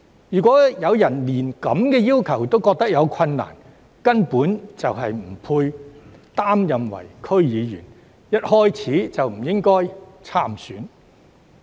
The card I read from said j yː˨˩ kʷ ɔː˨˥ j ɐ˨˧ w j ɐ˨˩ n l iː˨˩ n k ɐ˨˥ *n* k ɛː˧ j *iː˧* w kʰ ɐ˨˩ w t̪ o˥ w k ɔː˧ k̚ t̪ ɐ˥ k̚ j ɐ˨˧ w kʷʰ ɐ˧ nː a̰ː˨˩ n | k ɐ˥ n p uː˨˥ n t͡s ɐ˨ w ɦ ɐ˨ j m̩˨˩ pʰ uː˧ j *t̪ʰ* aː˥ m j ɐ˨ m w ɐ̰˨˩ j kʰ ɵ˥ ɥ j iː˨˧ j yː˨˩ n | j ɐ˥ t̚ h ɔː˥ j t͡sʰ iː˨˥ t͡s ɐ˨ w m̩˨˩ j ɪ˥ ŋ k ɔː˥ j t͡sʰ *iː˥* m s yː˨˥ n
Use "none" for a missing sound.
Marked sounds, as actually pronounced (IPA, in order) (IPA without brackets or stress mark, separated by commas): m, iː˥, t̪, aː˥